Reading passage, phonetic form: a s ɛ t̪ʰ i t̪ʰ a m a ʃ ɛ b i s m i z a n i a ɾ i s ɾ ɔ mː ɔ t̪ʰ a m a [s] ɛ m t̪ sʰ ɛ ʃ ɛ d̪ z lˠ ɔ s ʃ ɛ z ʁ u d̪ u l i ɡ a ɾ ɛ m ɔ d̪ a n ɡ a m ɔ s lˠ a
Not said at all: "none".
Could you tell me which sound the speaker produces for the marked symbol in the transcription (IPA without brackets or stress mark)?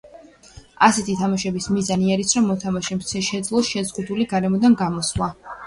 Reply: ʃ